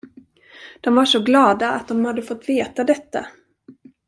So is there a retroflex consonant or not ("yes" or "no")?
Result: yes